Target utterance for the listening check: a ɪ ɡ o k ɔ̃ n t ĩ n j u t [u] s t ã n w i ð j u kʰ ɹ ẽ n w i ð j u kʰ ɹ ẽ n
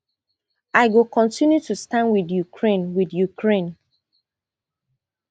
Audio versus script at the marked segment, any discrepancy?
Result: no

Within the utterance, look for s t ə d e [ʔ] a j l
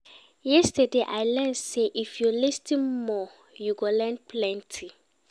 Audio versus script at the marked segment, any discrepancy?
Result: no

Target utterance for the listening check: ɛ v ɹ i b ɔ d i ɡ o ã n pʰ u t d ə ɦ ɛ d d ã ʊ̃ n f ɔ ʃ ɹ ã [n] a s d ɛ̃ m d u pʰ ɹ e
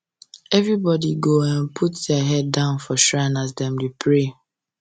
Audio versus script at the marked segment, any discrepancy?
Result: no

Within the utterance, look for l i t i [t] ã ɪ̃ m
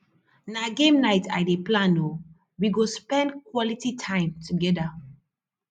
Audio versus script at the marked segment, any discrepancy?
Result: yes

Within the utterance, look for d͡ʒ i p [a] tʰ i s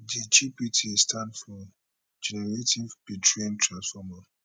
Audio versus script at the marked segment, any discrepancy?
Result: yes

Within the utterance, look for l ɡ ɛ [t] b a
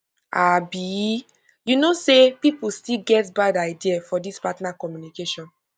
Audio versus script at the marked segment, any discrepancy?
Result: no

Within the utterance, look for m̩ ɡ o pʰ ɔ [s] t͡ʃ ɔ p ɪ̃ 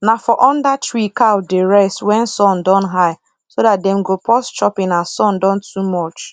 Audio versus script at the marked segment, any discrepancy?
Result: no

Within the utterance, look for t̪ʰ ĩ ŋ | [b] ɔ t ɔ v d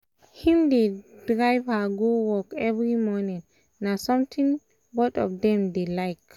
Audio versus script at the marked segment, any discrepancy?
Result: no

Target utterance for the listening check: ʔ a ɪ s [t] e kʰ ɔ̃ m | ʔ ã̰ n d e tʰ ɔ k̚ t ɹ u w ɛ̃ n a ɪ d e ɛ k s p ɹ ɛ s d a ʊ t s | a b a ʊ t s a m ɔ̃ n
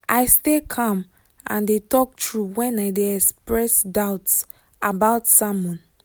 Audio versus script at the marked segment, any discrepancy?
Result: no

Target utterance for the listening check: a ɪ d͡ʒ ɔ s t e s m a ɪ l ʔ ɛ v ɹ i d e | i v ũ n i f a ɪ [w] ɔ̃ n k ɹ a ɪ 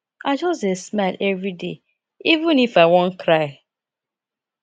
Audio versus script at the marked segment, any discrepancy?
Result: no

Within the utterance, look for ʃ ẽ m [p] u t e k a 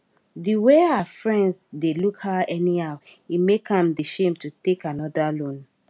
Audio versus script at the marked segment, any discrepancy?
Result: yes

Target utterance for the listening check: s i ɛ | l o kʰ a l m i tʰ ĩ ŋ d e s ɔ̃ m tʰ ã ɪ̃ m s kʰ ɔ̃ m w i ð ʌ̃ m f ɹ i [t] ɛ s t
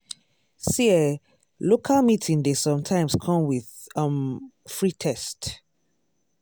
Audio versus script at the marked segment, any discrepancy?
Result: yes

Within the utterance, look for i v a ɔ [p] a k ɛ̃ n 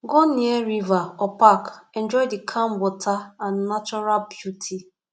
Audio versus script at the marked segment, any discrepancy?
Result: no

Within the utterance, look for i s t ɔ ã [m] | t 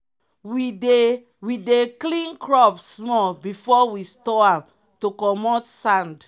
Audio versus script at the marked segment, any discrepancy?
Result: no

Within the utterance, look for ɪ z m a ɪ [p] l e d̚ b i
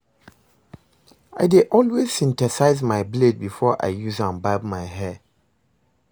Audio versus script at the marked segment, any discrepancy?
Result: yes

